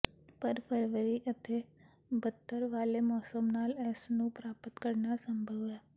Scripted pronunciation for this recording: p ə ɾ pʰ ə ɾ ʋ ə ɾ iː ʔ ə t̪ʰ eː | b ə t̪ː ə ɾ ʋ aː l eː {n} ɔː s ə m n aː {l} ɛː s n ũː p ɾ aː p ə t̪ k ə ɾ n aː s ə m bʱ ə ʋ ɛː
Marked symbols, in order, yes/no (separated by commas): no, yes